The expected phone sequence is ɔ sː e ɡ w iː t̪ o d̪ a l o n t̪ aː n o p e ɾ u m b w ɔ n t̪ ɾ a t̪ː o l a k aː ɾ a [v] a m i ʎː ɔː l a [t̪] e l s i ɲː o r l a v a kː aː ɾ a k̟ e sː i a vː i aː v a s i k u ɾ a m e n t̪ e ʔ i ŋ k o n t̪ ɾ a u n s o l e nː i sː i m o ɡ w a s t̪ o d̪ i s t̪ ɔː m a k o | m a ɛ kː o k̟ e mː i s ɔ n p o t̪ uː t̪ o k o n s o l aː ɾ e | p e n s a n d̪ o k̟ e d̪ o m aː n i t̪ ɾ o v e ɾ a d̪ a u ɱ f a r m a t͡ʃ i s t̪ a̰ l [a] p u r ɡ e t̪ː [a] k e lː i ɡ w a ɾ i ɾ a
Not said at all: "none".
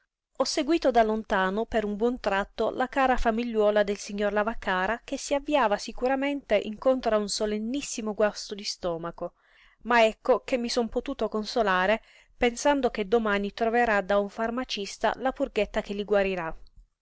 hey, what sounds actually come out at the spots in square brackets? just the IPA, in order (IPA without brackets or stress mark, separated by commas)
f, d̪, a, a